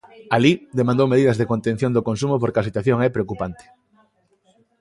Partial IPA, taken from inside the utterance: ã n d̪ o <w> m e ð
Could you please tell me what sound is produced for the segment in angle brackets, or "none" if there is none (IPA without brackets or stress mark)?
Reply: w